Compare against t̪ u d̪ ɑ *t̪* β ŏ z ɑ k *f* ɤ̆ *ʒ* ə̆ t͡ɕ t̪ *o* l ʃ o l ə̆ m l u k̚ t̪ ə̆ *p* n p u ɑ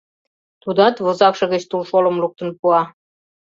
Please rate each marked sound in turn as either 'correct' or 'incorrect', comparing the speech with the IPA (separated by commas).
correct, incorrect, incorrect, incorrect, incorrect